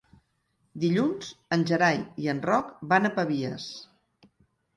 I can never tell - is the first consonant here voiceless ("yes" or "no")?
no